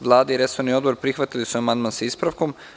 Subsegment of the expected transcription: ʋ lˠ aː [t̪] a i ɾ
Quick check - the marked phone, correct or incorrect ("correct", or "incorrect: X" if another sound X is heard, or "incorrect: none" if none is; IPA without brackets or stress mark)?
incorrect: d̪